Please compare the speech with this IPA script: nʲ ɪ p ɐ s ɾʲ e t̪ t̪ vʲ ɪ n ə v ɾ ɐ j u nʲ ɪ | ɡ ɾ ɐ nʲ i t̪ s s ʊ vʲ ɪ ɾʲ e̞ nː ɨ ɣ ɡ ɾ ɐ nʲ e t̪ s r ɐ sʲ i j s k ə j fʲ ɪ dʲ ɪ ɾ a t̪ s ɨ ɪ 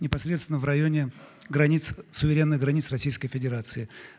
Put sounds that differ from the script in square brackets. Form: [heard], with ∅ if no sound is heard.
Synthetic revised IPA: nʲ ɪ p ɐ s ɾʲ e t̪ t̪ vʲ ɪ n ə v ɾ ɐ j [o] nʲ ɪ | ɡ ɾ ɐ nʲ i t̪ s s ʊ vʲ ɪ ɾʲ e̞ nː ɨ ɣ ɡ ɾ ɐ nʲ [i] t̪ s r ɐ sʲ i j s k ə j fʲ ɪ dʲ ɪ ɾ a t̪ s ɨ ɪ